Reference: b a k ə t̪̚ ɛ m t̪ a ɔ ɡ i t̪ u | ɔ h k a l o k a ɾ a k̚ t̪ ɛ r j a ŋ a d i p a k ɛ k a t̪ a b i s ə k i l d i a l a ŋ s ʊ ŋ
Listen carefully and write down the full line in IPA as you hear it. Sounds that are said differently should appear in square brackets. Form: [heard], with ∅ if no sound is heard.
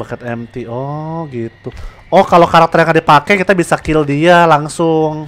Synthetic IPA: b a k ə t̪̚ ɛ m t̪ [i] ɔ ɡ i t̪ u | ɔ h k a l o k a ɾ a k̚ t̪ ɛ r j a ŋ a d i p a k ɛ k [i] t̪ a b i s [a] k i l d i a l a ŋ s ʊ ŋ